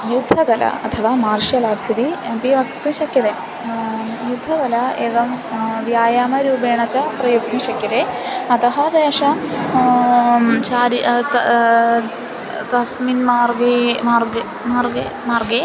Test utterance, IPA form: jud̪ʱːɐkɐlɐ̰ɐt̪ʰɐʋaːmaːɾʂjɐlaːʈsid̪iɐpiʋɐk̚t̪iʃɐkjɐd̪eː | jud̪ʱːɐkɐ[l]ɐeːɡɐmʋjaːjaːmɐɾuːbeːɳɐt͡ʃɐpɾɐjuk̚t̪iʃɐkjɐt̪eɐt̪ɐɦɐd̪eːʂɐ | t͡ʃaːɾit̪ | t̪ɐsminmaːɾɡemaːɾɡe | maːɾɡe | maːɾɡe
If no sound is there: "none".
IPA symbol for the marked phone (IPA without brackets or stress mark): l